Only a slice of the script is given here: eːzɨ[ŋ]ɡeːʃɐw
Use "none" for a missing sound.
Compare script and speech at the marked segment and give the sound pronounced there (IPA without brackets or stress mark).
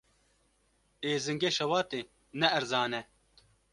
ŋ